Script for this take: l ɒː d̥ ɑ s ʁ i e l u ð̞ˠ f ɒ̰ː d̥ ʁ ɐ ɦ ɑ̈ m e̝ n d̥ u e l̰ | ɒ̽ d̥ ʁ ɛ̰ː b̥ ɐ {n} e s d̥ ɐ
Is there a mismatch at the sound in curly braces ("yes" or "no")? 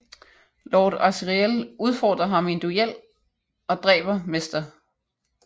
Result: yes